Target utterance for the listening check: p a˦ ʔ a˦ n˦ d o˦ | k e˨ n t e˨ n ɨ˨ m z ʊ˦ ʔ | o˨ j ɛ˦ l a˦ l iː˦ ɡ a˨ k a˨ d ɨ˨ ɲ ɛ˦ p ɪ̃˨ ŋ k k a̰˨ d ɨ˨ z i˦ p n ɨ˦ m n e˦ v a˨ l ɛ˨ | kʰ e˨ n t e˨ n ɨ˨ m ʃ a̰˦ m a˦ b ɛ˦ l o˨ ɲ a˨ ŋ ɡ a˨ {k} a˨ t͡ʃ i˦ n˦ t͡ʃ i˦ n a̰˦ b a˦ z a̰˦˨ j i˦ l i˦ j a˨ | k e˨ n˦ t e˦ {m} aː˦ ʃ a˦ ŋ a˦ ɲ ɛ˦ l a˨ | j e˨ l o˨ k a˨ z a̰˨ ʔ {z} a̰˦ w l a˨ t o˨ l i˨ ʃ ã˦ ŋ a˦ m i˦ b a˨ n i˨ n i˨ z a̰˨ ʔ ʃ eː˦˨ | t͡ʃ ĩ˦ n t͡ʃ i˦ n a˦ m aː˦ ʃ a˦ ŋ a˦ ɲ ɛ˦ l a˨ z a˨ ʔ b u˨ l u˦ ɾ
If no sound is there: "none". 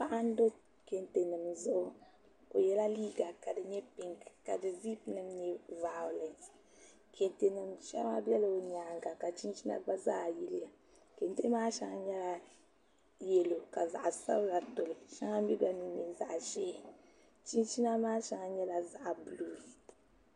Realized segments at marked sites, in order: k, m, s

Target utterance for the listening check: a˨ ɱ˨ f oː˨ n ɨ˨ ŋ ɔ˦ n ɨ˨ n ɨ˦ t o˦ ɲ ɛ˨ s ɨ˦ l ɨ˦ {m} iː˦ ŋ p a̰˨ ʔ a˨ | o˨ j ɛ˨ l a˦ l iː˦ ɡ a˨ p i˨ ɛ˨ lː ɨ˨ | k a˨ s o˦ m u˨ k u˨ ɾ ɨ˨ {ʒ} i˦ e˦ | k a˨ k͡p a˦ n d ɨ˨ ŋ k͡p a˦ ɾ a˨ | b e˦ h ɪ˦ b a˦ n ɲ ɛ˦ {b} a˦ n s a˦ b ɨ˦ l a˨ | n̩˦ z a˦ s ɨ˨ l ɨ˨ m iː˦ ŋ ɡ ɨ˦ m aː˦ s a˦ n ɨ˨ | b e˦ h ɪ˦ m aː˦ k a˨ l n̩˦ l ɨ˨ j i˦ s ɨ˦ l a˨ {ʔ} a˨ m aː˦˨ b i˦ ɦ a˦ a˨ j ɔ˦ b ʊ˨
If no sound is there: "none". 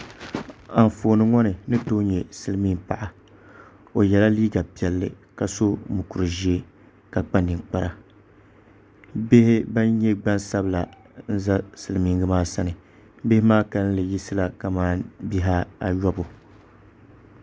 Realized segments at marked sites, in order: m, ʒ, ɡ͡b, k

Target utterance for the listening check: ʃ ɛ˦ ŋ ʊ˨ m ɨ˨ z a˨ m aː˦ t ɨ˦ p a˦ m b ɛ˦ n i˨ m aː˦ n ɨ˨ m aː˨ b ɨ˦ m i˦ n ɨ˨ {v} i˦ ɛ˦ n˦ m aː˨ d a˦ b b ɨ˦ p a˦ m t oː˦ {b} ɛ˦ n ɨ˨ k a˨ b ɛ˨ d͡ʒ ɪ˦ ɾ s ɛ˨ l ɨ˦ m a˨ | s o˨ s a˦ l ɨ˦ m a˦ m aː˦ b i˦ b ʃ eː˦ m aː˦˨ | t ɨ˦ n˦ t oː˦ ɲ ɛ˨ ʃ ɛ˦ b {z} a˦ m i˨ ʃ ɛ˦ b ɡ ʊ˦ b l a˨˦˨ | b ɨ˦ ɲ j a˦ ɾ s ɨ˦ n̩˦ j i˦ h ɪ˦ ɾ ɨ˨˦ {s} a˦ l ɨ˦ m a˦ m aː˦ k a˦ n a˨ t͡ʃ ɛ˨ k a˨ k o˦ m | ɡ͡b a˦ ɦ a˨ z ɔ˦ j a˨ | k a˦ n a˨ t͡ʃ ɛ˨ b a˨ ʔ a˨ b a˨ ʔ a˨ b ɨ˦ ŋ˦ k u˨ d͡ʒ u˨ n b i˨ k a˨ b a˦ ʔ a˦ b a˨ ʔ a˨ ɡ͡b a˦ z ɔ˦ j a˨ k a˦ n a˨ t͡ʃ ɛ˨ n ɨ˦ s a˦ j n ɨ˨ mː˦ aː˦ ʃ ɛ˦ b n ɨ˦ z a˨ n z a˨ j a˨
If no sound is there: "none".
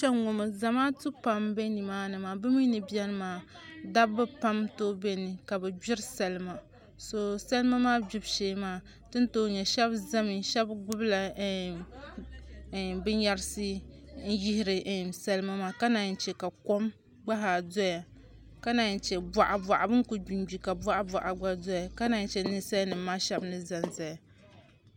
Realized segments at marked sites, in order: b, b, z, s

